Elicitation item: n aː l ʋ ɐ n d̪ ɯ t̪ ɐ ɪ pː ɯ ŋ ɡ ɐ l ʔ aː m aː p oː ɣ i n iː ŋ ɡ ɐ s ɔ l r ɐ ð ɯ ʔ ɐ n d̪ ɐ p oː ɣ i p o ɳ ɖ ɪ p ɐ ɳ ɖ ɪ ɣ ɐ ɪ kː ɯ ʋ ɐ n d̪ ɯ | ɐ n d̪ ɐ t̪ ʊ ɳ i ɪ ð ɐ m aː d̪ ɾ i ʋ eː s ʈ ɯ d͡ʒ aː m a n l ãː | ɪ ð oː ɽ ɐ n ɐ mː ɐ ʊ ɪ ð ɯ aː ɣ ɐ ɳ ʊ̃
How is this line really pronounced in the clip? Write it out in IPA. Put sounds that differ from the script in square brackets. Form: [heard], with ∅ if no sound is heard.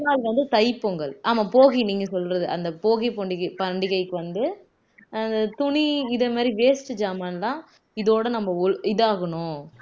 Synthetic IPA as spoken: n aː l ʋ ɐ n d̪ ɯ t̪ ɐ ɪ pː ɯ ŋ ɡ ɐ [ɭ] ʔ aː m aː p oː ɣ i n iː ŋ ɡ ɐ s ɔ l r ɐ ð ɯ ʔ ɐ n d̪ ɐ p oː ɣ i p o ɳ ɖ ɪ p ɐ ɳ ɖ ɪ ɣ ɐ ɪ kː ɯ ʋ ɐ n d̪ ɯ | ɐ n d̪ ɐ t̪ ʊ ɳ i ɪ ð ɐ m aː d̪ ɾ i ʋ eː s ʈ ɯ d͡ʒ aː m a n l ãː | ɪ ð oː ɽ ɐ n ɐ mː ɐ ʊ ɪ ð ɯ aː ɣ ɐ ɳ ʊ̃